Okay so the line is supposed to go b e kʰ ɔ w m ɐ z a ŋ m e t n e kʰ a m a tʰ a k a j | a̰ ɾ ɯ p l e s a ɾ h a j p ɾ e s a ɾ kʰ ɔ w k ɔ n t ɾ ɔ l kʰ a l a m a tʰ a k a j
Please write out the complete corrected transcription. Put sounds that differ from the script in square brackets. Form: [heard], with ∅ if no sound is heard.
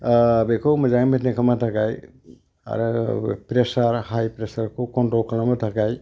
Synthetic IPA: b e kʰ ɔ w m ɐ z a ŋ m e t n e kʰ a m a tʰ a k a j | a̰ ɾ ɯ p [ɾ] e s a ɾ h a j p ɾ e s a ɾ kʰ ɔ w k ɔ n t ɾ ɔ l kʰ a l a m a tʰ a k a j